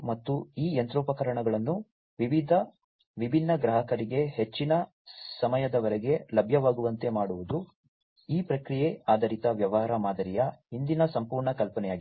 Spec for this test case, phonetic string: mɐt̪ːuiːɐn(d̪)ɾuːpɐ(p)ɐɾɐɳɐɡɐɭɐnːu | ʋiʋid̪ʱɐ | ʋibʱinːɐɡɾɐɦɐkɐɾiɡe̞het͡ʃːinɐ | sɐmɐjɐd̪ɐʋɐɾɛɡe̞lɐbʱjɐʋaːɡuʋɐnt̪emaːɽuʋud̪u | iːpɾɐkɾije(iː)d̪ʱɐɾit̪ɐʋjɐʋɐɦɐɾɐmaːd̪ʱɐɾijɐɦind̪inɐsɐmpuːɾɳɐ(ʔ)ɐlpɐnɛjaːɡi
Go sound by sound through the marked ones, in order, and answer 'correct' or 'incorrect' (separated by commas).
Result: incorrect, incorrect, incorrect, incorrect